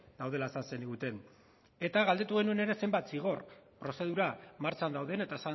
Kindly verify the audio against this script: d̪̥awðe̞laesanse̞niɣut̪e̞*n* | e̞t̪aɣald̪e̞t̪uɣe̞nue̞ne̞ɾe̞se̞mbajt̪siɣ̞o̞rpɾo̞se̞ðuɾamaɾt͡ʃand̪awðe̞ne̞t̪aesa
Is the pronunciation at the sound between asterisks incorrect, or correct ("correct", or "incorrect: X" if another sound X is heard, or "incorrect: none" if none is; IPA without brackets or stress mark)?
correct